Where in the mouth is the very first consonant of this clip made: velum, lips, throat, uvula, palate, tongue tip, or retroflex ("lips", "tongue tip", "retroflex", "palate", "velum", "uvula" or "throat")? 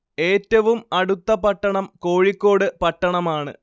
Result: tongue tip